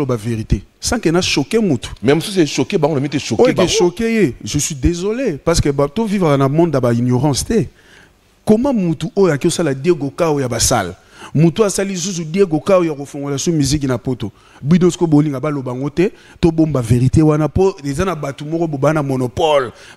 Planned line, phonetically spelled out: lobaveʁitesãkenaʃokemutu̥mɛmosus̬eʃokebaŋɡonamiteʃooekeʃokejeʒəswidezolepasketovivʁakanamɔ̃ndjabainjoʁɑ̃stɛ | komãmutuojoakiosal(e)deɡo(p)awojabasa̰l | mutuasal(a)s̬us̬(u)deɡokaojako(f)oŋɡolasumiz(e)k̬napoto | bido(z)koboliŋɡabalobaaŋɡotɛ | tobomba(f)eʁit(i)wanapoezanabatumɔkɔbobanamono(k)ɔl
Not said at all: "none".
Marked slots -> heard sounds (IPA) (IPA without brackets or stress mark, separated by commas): a, k, i, u, f, i, s, v, e, p